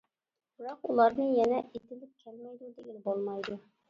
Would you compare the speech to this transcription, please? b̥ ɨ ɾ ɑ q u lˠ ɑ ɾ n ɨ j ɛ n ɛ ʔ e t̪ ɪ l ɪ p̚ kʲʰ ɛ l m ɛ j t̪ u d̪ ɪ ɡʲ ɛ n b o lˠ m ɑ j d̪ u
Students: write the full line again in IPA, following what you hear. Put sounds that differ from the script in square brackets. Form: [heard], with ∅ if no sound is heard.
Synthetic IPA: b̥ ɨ ɾ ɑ q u lˠ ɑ ɾ n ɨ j ɛ n ɛ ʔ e t̪ ɪ l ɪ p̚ kʲʰ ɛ l m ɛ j [d̪] u d̪ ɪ ɡʲ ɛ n b o lˠ m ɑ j d̪ u